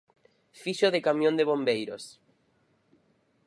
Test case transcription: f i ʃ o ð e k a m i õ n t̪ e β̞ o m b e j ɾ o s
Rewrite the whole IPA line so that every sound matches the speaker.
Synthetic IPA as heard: f i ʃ o ð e k a m j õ n d̪ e β̞ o m b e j ɾ o s